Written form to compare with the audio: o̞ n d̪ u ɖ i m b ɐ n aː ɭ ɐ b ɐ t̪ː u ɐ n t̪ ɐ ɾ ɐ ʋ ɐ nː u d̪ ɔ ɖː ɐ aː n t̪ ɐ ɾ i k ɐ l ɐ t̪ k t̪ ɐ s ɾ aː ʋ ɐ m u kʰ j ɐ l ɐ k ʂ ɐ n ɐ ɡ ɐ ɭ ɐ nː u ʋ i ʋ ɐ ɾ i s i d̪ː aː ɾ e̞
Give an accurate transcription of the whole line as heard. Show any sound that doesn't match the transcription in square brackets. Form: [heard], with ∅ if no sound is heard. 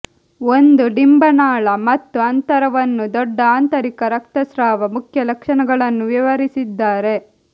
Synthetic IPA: o̞ n d̪ u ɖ i m b ɐ n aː ɭ ɐ [m] ɐ t̪ː u ɐ n t̪ ɐ ɾ ɐ ʋ ɐ nː u d̪ ɔ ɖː ɐ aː n t̪ ɐ ɾ i k ɐ [ɾ] ɐ [∅] k t̪ ɐ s ɾ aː ʋ ɐ m u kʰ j ɐ l ɐ k ʂ ɐ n ɐ ɡ ɐ ɭ ɐ nː u ʋ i ʋ ɐ ɾ i s i d̪ː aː ɾ e̞